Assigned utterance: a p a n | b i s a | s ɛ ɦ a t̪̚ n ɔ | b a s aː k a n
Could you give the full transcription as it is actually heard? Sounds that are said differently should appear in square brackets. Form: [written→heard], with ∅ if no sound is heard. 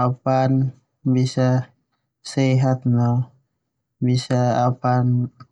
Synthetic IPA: a p a n | b i s a | s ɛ ɦ a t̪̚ n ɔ | b [a→i] s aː [k→p] a n

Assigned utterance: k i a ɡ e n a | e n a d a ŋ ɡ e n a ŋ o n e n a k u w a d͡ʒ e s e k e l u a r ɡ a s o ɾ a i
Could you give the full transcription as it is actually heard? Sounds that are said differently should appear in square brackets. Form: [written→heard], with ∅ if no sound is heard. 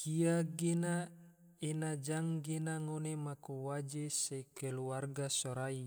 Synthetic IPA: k i a ɡ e n a | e n a [d→d͡ʒ] a ŋ ɡ e n a ŋ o n e [n→m] a k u w a d͡ʒ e s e k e l u a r ɡ a s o ɾ a i

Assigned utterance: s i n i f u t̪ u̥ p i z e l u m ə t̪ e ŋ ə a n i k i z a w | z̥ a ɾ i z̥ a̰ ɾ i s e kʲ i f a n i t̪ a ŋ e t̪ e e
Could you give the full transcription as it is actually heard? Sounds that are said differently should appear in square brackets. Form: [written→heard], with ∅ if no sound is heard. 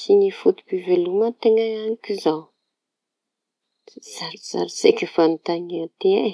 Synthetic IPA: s i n i f u t̪ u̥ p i [z→v] e l u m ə t̪ e ŋ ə a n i k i z a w | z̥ a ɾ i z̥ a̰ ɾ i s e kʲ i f a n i t̪ a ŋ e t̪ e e

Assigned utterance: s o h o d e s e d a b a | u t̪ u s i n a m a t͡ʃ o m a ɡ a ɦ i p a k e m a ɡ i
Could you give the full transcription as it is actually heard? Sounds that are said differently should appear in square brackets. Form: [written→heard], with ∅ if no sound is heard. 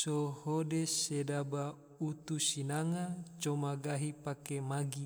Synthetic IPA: s o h o d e s e d a b a | u t̪ u s i n a [m→ŋ] a t͡ʃ o m a ɡ a ɦ i p a k e m a ɡ i

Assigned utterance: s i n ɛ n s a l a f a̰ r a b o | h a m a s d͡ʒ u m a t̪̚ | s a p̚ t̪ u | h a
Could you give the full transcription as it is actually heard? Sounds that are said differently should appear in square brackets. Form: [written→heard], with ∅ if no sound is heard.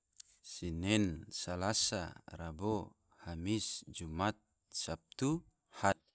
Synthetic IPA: s i n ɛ n s a l a [f→s] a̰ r a b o | h a m [a→i] s d͡ʒ u m a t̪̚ | s a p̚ t̪ u | h a

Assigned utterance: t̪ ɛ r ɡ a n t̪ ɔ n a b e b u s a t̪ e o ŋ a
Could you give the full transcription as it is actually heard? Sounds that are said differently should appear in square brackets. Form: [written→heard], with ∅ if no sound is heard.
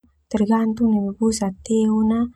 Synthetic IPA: t̪ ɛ r ɡ a n t̪ [ɔ→u] n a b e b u s a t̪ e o [ŋ→n] a

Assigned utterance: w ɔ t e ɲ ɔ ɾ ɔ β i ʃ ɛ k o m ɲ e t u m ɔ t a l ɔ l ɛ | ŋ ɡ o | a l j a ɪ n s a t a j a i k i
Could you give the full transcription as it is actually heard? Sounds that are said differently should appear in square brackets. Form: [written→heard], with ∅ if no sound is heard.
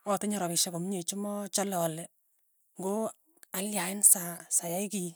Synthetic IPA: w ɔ t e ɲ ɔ ɾ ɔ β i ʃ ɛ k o m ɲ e [t→t͡ʃ] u m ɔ [t→t͡ʃ] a l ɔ l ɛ | ŋ ɡ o | a l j a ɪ n s a [t→s] a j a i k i

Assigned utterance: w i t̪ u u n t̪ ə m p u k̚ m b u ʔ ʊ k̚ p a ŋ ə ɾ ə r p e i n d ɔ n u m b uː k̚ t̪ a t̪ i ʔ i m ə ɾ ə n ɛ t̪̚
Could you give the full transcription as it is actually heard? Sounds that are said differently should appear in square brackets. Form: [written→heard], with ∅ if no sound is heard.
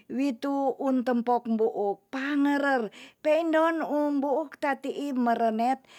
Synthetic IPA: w i t̪ u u n t̪ ə m p [u→ɔ] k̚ m b u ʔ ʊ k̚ p a ŋ ə ɾ ə r p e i n d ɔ n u m b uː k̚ t̪ a t̪ i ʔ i m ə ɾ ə n ɛ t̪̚

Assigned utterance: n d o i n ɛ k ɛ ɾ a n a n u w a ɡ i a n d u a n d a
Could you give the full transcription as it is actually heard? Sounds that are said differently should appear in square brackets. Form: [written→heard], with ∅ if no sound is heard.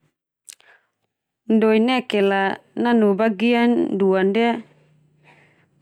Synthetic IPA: n d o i n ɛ k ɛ [ɾ→l] a n a n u [w→b] a ɡ i a n d u a n d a

